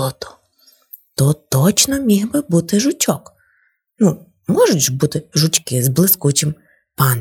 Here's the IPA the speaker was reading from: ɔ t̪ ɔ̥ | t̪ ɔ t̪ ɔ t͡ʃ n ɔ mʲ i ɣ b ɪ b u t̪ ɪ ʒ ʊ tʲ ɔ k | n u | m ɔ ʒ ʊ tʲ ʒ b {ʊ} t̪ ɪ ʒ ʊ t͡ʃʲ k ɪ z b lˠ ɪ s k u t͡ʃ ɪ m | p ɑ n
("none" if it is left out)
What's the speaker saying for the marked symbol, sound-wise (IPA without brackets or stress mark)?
u